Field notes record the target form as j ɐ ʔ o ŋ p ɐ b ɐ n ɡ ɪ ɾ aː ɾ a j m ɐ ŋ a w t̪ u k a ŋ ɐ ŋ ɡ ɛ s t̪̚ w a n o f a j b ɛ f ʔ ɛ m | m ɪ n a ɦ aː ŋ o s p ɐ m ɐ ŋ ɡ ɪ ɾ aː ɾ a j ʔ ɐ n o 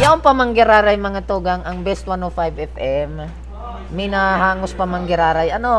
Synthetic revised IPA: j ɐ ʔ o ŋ p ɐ m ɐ ŋ ɡ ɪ ɾ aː ɾ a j m ɐ ŋ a t̪ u ɡ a ŋ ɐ ŋ b ɛ s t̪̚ w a n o f a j b ɛ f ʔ ɛ m | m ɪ n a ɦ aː ŋ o s p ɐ m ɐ ŋ ɡ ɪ ɾ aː ɾ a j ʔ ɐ n o